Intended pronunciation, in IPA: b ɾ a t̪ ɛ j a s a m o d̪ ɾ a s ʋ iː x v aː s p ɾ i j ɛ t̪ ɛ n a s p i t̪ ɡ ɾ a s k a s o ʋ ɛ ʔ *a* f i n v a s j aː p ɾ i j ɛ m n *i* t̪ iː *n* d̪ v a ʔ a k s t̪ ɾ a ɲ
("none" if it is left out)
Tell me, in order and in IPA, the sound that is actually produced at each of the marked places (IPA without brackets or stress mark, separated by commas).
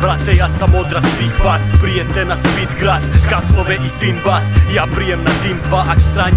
i, a, m